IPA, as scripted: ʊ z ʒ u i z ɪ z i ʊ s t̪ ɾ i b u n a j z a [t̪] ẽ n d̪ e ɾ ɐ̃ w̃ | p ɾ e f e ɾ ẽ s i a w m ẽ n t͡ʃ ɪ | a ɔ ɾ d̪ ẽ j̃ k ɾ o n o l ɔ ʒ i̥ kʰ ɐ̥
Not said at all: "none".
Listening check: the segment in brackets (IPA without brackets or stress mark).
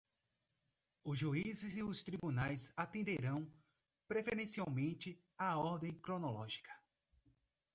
t̪